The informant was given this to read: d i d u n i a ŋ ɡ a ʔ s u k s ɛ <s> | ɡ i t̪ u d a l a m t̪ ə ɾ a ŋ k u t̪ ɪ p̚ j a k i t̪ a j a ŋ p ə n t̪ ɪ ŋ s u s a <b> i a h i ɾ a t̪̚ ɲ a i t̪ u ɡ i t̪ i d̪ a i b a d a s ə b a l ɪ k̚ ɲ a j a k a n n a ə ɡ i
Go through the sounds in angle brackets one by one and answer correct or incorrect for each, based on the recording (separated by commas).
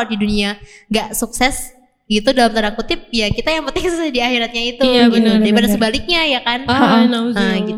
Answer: correct, incorrect